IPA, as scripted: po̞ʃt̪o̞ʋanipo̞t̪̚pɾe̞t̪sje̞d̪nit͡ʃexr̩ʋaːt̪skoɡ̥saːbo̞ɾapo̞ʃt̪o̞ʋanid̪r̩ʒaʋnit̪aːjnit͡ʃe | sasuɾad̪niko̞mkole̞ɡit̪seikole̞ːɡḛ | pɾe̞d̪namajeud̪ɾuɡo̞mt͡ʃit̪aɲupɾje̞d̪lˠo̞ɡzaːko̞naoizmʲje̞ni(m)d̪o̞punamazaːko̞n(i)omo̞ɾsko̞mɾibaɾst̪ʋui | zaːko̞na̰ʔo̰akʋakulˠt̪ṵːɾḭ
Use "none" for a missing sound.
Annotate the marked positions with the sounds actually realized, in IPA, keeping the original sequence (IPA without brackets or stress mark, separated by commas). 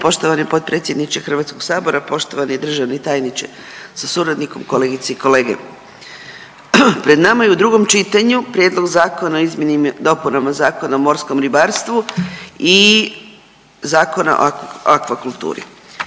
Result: m, a